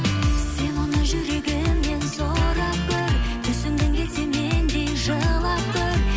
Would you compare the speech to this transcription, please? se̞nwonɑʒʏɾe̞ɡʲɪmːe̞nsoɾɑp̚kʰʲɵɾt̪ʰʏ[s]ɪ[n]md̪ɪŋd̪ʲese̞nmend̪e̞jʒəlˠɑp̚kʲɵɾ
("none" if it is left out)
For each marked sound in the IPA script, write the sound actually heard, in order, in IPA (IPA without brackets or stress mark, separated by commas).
s, none